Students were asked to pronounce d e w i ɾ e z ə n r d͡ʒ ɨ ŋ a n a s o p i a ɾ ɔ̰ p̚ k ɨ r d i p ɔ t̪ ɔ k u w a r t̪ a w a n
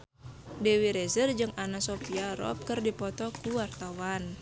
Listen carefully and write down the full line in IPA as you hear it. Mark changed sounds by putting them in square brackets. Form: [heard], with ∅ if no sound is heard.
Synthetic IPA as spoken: d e w i ɾ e z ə [∅] r d͡ʒ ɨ ŋ a n a s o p i a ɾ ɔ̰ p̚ k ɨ r d i p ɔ t̪ ɔ k u w a r t̪ a w a n